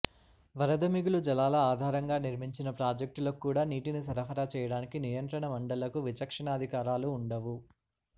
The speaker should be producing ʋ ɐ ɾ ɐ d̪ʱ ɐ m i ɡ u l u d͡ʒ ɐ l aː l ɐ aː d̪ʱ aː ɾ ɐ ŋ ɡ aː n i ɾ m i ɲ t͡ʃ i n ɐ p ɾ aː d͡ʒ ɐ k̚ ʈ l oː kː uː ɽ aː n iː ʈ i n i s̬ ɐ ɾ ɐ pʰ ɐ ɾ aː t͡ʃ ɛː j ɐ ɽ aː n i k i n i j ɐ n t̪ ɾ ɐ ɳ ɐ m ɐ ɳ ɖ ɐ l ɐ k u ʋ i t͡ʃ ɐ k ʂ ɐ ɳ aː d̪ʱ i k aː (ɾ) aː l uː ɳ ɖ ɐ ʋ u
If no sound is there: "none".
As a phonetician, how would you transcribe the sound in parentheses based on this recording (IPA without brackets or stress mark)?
ɾ